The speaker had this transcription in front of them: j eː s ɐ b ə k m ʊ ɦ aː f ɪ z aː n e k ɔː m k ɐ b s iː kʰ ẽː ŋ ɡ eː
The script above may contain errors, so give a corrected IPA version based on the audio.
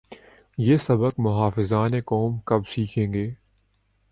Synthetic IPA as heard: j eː s ɐ b ə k m ʊ ɦ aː f ɪ z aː n e k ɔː m k ɐ b s iː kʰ ẽː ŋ ɡ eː